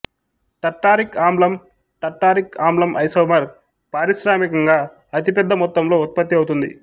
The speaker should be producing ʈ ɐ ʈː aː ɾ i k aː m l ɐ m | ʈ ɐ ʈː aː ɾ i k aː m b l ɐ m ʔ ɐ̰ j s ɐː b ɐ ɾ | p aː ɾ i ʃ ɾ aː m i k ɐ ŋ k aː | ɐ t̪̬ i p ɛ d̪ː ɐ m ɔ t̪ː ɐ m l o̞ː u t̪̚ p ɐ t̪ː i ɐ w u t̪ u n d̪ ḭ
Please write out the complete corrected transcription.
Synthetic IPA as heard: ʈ ɐ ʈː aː ɾ i k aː m l ɐ m | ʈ ɐ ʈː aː ɾ i k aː m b l ɐ m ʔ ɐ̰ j s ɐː m ɐ ɾ | p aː ɾ i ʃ ɾ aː m i k ɐ ŋ ɡ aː | ɐ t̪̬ i p ɛ d̪ː ɐ m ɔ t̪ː ɐ m l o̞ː u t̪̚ p ɐ t̪ː i ɐ w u t̪ u n d̪ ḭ

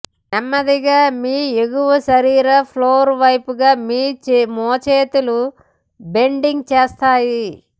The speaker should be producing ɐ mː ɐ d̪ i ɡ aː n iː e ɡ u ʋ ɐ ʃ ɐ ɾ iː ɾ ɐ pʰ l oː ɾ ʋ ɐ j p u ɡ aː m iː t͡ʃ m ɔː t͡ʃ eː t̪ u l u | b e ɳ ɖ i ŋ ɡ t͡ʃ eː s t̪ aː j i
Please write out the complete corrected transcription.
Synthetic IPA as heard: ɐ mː ɐ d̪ i ɡ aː m iː e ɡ u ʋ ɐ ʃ ɐ ɾ iː ɾ ɐ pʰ l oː ɾ ʋ ɐ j p u ɡ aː m iː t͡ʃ m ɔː t͡ʃ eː t̪ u l u | b e ɳ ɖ i ŋ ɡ t͡ʃ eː s t̪ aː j i

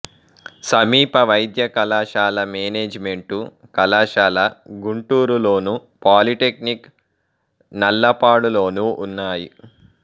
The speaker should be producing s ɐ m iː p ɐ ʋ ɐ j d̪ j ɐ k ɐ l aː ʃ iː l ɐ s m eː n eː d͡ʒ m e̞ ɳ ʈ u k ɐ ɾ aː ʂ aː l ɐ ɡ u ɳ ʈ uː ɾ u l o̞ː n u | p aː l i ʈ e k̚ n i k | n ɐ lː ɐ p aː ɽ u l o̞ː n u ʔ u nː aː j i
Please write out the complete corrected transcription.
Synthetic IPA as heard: s ɐ m iː p ɐ ʋ ɐ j d̪ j ɐ k ɐ l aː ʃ aː l ɐ m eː n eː d͡ʒ m e̞ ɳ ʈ u k ɐ l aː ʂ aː l ɐ ɡ u ɳ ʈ uː ɾ u l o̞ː n u | p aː l i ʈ e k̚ n i k | n ɐ lː ɐ p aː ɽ u l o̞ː n u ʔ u nː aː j i

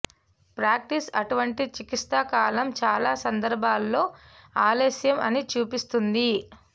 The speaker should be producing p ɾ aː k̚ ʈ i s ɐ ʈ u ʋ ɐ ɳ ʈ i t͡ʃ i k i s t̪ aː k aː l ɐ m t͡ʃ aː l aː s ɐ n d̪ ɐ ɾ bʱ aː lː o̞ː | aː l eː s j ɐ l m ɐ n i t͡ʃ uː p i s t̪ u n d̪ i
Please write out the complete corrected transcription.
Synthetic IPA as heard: p ɾ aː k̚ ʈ i s ɐ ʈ u ʋ ɐ ɳ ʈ i t͡ʃ i k i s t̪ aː k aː l ɐ m t͡ʃ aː l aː s ɐ n d̪ ɐ ɾ bʱ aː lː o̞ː | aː l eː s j ɐ m ɐ n i t͡ʃ uː p i s t̪ u n d̪ i

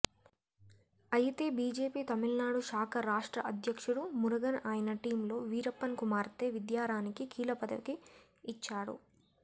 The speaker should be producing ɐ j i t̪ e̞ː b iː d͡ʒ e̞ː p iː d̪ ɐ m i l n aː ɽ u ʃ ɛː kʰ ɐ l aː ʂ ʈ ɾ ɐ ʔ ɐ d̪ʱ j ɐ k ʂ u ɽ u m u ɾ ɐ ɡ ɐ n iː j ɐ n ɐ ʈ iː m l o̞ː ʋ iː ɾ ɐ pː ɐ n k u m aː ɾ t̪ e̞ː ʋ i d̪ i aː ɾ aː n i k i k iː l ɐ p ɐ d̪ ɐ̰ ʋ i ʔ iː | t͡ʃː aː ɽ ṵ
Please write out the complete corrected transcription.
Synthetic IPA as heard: ɐ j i t̪ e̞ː b iː d͡ʒ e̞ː p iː t̪ ɐ m i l n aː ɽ u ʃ aː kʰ ɐ ɾ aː ʂ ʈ ɾ ɐ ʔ ɐ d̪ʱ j ɐ k ʂ u ɽ u m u ɾ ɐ ɡ ɐ n aː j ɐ n ɐ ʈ iː m l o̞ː ʋ iː ɾ ɐ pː ɐ n k u m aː ɾ t̪ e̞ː ʋ i d̪ j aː ɾ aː n i k i k iː l ɐ p ɐ d̪ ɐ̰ ʋ i k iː | t͡ʃː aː ɽ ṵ

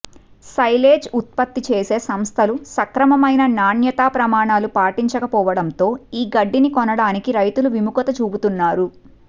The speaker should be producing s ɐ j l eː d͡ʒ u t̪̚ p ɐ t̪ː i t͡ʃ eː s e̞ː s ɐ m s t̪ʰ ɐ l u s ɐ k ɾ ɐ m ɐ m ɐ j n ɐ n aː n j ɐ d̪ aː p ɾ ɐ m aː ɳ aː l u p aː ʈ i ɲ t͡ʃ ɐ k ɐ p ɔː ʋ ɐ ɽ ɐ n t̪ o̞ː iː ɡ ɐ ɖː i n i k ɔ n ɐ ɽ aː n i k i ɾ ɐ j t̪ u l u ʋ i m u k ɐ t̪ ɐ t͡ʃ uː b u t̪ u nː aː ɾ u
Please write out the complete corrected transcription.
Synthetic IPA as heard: s ɐ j l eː d͡ʒ u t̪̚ p ɐ t̪ː i t͡ʃ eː s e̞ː s ɐ m s t̪ʰ ɐ l u s ɐ k ɾ ɐ m ɐ m ɐ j n ɐ n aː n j ɐ t̪ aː p ɾ ɐ m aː ɳ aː l u p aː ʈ i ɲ t͡ʃ ɐ k ɐ p ɔː ʋ ɐ ɽ ɐ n t̪ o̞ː iː ɡ ɐ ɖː i n i k ɔ n ɐ ɽ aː n i k i ɾ ɐ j t̪ u l u ʋ i m u k ɐ t̪ ɐ t͡ʃ uː b u t̪ u nː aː ɾ u

